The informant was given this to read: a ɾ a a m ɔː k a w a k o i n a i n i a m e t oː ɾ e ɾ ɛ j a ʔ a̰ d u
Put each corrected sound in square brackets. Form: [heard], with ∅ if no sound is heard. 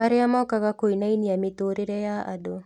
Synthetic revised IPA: a ɾ [e] a m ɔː k a [ɣ] a k o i n a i n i a m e t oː ɾ e ɾ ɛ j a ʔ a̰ d [o]